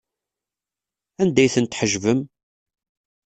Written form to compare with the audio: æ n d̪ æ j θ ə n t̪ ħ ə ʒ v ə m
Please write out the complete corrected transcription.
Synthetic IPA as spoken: æ n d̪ æ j θ ə n t̪ ħ ə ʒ v ə m